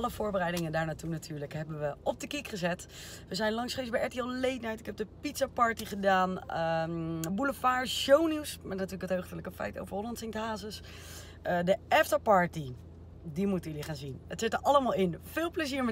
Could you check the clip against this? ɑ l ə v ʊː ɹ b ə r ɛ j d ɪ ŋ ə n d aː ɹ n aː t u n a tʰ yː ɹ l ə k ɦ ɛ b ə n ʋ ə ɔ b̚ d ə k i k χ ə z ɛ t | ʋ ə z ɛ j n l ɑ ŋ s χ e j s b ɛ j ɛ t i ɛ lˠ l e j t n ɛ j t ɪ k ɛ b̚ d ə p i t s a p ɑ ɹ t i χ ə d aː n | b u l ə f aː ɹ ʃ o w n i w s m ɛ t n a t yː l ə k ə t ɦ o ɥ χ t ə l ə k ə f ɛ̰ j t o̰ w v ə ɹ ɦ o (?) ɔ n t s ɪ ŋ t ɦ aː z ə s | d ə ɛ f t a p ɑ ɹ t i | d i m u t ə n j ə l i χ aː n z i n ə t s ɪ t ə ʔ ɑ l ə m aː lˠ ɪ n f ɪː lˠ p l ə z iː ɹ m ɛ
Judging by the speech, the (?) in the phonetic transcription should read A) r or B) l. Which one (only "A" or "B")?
B